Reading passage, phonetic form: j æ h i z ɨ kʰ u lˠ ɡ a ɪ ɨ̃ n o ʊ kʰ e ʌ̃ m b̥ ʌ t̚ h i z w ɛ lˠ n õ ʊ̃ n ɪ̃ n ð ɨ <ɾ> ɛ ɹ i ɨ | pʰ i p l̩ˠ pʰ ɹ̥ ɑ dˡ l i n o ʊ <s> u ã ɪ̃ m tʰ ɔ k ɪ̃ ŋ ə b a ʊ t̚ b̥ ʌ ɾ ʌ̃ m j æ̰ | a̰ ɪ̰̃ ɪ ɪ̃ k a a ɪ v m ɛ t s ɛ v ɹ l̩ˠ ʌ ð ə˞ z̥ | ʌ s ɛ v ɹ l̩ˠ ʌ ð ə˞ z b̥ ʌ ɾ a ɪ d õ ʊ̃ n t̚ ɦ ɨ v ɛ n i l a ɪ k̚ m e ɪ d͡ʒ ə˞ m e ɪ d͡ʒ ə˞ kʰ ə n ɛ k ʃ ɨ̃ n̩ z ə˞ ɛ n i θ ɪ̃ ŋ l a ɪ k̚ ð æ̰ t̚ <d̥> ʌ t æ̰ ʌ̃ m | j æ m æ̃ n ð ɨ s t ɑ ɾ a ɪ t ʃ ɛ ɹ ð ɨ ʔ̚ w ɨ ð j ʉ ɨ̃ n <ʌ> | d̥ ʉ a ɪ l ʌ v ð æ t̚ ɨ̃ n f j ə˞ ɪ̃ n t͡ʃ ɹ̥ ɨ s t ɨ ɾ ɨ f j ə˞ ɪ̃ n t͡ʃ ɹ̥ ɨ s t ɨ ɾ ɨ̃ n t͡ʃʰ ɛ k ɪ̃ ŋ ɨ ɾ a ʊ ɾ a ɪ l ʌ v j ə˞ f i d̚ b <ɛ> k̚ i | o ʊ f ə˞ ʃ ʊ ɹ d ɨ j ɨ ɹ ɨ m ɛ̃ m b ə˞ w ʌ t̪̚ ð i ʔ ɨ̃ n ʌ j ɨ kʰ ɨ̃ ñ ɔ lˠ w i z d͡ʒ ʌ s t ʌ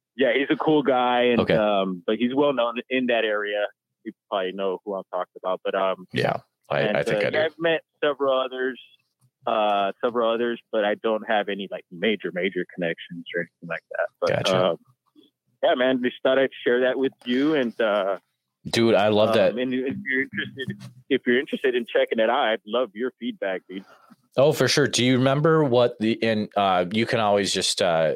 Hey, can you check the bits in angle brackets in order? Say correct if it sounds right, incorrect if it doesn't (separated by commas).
correct, incorrect, incorrect, correct, incorrect